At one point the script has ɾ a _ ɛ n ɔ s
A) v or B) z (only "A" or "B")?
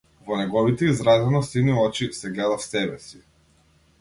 B